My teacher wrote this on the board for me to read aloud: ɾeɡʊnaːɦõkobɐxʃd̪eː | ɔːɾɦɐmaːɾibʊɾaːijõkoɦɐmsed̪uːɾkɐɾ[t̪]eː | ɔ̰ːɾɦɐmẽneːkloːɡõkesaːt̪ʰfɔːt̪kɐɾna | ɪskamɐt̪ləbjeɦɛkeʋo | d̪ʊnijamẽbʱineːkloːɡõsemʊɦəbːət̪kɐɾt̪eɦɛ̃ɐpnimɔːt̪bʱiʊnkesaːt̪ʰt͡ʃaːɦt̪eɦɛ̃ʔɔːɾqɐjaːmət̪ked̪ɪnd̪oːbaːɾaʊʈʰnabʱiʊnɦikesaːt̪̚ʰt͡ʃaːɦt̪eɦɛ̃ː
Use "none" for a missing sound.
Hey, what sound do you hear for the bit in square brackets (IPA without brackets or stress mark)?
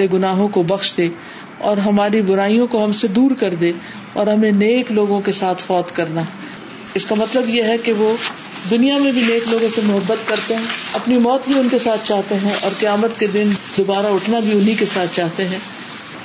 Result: d̪